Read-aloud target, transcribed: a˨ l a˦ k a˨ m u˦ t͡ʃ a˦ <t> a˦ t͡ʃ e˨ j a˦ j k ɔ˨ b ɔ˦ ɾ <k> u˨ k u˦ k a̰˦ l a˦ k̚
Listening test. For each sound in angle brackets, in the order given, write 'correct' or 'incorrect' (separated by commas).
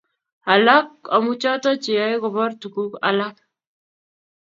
correct, incorrect